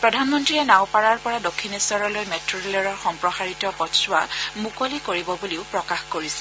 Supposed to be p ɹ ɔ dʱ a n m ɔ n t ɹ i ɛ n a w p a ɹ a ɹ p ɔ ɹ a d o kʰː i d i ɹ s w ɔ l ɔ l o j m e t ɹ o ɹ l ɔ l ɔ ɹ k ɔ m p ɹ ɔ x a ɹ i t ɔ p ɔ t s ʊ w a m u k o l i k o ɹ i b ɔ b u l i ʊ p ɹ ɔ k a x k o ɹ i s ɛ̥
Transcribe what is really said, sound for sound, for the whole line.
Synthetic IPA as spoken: p ɹ ɔ dʱ a n m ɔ n t ɹ i ɛ n a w p a ɹ a ɹ p ɔ ɹ a d o kʰː i n i s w ɔ ɹ ɔ l o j m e t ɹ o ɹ l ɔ ɹ ɔ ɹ x ɔ m p ɹ ɔ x a ɹ i t ɔ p ɔ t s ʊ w a m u k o l i k o ɹ i b ɔ b u l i ʊ p ɹ ɔ k a x k o ɹ i s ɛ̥

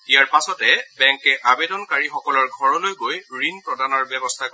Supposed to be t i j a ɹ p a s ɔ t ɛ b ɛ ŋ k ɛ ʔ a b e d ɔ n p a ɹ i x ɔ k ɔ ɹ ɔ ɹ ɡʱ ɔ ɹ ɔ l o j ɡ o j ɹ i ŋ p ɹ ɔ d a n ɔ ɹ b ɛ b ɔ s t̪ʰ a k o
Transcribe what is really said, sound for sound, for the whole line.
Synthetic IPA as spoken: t i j a ɹ p a s ɔ t ɛ b ɛ ŋ k ɛ ʔ a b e d ɔ n k a ɹ i x ɔ k ɔ l ɔ ɹ ɡʱ ɔ ɹ ɔ l o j ɡ o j ɹ i n p ɹ ɔ d a n ɔ ɹ b ɛ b ɔ s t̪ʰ a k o

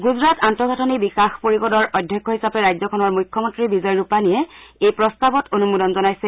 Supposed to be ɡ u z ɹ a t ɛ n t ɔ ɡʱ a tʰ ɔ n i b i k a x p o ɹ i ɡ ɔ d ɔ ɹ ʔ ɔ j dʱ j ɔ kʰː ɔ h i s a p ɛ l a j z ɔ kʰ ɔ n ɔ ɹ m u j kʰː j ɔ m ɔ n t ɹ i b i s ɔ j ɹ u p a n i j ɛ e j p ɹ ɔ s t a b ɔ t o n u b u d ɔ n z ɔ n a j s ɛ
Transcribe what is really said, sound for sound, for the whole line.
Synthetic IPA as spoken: ɡ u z ɹ a t a n t ɔ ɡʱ a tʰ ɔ n i b i k a x p o ɹ i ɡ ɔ d ɔ ɹ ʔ ɔ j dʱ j ɔ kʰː ɔ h i s a p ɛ ɹ a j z ɔ kʰ ɔ n ɔ ɹ m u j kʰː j ɔ m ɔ n t ɹ i b i z ɔ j ɹ u p a n i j ɛ e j p ɹ ɔ s t a b ɔ t o n u m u d ɔ n z ɔ n a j s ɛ

